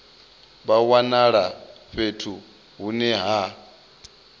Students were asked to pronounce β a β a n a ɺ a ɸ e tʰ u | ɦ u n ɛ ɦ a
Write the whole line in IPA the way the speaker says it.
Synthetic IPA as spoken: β a w a n a ɺ a ɸ e tʰ u | ɦ u n ɛ ɦ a